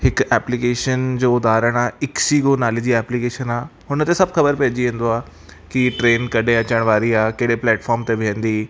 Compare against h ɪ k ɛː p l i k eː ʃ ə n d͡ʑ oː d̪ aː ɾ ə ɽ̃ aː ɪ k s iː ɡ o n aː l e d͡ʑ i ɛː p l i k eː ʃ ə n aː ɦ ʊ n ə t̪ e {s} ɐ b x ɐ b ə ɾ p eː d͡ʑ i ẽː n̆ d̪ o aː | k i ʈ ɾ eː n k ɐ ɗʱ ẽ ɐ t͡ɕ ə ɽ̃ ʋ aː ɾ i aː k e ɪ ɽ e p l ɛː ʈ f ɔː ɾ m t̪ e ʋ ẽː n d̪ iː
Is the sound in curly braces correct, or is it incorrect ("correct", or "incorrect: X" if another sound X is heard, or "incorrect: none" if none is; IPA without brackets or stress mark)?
correct